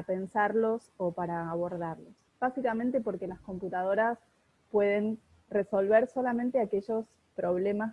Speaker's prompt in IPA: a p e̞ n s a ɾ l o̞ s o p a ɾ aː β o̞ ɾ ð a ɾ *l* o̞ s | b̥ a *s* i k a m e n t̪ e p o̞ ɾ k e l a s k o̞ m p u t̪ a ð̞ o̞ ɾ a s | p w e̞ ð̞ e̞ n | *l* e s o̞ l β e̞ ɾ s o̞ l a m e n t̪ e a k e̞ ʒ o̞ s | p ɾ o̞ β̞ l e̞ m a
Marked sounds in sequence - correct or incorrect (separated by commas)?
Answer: correct, correct, incorrect